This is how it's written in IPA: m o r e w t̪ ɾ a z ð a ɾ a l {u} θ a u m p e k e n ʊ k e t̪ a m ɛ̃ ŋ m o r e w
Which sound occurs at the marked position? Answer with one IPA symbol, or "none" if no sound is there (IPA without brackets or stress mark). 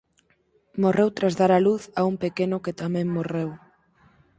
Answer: u